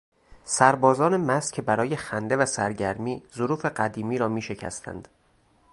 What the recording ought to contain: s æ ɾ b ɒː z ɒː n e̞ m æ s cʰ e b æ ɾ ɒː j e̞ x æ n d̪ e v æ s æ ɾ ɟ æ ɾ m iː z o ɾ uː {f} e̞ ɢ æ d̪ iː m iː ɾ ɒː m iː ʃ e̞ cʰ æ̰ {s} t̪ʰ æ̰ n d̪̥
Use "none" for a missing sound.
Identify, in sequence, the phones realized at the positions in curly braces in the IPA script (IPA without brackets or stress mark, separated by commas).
f, s